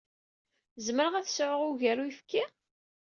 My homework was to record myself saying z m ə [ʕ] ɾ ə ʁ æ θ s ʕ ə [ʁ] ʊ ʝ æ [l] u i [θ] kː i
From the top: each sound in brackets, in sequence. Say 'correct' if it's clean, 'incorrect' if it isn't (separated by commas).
incorrect, correct, incorrect, incorrect